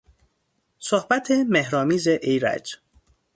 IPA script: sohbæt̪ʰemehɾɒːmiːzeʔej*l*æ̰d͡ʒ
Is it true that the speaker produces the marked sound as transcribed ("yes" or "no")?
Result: no